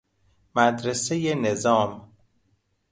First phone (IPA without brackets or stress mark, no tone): m